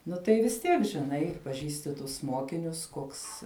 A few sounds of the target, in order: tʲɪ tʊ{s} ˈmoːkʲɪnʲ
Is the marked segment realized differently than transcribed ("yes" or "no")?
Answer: no